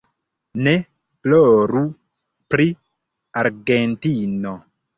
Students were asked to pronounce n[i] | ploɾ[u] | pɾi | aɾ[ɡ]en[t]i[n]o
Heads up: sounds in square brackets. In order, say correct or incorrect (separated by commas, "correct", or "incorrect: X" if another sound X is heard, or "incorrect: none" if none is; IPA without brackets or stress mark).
incorrect: e, correct, correct, correct, correct